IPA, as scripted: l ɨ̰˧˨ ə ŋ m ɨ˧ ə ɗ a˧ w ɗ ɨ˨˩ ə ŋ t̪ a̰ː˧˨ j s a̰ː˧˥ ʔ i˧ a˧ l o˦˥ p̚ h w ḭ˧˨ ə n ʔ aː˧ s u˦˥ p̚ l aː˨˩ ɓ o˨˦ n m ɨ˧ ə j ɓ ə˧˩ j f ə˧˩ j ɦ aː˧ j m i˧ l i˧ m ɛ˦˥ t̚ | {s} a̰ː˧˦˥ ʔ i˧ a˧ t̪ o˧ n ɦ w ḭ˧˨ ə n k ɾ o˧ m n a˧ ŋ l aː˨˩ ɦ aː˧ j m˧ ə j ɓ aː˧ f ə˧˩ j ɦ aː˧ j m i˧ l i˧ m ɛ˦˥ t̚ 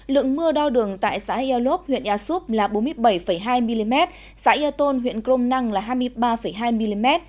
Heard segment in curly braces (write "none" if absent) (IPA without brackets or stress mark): s